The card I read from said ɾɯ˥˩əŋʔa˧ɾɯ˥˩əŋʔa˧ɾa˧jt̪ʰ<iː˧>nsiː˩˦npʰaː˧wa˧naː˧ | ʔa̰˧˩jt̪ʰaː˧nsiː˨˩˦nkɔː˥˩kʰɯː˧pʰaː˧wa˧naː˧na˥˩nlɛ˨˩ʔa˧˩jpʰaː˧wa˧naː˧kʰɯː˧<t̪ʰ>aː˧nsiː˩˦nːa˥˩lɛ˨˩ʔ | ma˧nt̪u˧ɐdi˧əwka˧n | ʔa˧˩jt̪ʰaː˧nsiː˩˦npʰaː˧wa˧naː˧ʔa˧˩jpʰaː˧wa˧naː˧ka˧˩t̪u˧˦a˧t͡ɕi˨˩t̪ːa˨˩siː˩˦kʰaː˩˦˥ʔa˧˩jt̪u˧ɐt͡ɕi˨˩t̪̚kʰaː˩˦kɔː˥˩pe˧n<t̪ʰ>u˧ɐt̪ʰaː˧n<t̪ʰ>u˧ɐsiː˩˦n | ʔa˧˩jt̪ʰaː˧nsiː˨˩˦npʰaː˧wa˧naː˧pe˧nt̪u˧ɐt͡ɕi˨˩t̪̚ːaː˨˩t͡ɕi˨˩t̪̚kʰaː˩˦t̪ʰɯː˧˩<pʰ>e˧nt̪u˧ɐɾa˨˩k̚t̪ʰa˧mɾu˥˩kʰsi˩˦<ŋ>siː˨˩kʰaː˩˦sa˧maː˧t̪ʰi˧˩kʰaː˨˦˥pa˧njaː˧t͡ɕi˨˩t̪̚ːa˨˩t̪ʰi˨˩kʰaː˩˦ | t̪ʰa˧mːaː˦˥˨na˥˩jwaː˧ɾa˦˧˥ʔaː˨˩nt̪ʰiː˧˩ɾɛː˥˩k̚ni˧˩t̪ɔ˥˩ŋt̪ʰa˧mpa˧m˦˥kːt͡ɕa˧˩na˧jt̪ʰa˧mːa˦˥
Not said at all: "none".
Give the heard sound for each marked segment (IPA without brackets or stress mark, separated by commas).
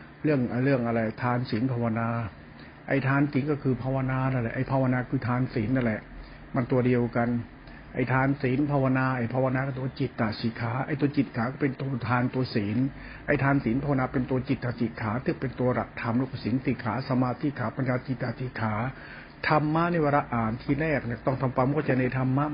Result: aː˧, t̪ʰ, t̪, t̪, p, n